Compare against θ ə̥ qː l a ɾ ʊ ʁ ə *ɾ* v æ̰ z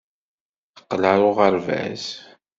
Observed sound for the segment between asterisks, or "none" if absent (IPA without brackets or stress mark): ɾ